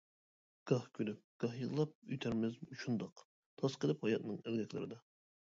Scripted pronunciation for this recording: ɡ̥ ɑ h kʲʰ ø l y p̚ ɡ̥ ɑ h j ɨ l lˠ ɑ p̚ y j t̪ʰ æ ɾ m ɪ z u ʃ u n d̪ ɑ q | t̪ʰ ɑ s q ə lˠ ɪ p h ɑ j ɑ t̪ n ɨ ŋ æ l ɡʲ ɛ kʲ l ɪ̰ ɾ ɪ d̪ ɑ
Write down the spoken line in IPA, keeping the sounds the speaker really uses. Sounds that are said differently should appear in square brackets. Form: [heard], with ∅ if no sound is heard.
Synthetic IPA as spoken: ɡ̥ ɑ h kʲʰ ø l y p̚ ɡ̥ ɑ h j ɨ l lˠ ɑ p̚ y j t̪ʰ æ ɾ m ɪ z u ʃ u n d̪ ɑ q | t̪ʰ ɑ s q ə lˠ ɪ p h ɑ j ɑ t̪ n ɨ ŋ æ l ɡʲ ɛ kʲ l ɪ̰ ɾ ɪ d̪ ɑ